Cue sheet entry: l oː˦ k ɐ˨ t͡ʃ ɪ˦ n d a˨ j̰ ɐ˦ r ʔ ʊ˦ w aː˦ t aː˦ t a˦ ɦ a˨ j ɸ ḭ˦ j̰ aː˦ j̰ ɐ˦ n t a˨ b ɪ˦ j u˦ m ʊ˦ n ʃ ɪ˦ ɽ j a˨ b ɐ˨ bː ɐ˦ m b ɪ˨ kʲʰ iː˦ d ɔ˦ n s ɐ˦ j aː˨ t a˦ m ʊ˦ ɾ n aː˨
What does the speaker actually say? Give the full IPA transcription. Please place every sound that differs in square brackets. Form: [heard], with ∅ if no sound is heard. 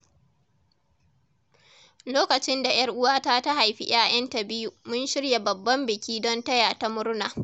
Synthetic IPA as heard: l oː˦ k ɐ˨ t͡ʃ ɪ˦ n d a˨ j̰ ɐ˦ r ʔ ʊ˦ w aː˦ t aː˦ t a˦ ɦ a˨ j ɸ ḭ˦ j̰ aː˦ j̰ ɐ˦ n t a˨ b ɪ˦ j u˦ m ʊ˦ n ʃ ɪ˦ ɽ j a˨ b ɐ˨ bː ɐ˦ m b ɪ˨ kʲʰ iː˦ d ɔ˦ n [t] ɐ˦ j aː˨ t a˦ m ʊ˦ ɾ n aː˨